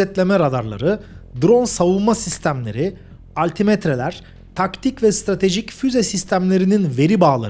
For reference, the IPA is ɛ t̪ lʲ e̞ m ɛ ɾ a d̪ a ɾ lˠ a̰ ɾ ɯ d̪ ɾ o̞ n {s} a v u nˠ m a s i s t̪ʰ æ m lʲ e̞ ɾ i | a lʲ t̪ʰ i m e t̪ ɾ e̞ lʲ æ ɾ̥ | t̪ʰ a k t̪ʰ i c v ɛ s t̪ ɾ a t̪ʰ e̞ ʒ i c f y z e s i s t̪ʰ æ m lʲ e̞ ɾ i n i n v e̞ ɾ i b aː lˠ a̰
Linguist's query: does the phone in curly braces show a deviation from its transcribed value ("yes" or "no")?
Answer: no